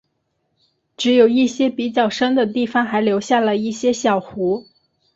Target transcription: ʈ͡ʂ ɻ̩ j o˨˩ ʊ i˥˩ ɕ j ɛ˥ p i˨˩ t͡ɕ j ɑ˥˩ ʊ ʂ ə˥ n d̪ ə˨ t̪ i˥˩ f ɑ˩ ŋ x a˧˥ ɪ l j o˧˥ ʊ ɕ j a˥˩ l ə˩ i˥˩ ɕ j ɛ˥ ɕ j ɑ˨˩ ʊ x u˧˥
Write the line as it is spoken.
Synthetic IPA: ʈ͡ʂ ɻ̩ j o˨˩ ʊ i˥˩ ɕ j ɛ˥ p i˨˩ t͡ɕ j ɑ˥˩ ʊ ʂ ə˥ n d̪ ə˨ t̪ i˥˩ f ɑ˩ ŋ x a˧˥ ɪ l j o˧˥ ʊ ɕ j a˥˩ l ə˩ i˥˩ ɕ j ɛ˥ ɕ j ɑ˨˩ ʊ x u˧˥